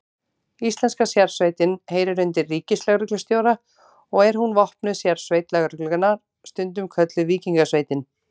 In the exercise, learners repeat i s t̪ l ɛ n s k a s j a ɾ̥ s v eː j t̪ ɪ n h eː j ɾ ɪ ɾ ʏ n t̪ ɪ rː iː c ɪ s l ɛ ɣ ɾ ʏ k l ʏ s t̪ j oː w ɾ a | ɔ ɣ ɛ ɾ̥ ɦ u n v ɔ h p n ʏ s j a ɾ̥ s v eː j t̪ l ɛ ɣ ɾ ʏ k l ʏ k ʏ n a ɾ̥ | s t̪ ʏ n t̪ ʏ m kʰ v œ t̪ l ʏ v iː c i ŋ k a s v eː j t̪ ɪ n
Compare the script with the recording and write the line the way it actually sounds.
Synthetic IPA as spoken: i s t̪ l ɛ n s k a s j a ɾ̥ s v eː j t̪ ɪ n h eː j ɾ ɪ ɾ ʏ n t̪ ɪ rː iː c ɪ s l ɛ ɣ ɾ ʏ k l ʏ s t̪ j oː w ɾ a | ɔ ɣ ɛ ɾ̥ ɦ u n v ɔ h p n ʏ s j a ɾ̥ s v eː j t̪ l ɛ ɣ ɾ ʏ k l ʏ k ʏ n a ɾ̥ | s t̪ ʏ n t̪ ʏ m kʰ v œ t̪ l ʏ v iː c i ŋ k a s v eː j t̪ ɪ n